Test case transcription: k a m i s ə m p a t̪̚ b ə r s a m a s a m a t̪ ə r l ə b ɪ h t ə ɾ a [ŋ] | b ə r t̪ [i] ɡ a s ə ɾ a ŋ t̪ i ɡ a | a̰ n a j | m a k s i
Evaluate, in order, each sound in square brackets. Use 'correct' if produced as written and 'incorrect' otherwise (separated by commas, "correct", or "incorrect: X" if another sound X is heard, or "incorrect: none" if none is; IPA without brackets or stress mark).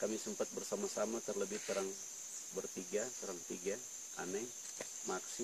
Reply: correct, correct